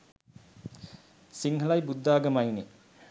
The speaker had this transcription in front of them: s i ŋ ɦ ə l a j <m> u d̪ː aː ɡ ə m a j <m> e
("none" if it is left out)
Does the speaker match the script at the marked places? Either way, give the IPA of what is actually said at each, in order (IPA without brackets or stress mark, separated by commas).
b, n